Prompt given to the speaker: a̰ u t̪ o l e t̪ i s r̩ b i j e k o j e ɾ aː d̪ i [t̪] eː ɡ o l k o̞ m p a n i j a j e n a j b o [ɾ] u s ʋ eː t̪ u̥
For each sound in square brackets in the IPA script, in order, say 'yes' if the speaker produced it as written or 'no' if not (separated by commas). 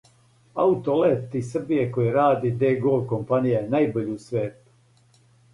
no, no